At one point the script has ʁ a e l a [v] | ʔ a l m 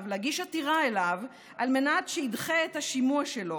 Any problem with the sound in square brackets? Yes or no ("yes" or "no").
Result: no